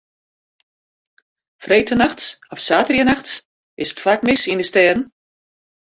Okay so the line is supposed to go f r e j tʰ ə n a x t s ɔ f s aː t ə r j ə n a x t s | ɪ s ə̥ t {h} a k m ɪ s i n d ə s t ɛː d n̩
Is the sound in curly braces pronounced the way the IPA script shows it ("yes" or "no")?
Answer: no